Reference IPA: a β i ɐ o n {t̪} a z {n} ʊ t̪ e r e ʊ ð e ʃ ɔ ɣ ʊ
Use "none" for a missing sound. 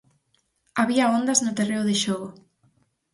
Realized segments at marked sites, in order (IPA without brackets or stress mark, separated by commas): d̪, n